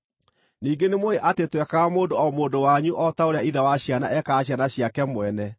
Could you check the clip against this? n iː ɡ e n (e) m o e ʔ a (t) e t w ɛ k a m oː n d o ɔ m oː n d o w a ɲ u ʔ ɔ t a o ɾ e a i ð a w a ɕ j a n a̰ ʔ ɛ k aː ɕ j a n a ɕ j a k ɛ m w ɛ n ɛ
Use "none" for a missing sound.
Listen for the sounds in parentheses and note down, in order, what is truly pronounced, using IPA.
e, t

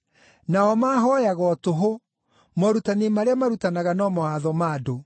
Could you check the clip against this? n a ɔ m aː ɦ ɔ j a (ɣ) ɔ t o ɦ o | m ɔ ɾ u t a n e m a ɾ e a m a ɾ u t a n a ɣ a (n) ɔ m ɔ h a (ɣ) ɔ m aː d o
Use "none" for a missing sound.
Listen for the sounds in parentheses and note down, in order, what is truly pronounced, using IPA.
ɣ, n, ð

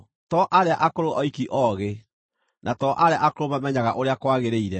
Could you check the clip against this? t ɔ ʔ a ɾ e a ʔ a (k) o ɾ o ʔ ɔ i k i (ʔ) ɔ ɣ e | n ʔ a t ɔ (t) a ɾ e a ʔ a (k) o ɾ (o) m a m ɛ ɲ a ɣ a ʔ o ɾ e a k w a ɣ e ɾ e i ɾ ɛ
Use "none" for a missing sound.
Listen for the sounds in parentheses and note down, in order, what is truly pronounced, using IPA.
k, ʔ, ʔ, k, o

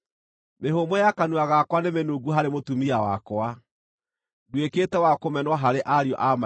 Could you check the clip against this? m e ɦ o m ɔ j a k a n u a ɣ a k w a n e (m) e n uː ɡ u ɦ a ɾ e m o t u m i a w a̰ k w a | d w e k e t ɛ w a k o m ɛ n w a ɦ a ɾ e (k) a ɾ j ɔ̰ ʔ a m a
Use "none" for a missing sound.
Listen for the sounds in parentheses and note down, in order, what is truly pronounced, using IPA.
m, ʔ

